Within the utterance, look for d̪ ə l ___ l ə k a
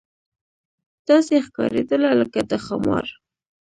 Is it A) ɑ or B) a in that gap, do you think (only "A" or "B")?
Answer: B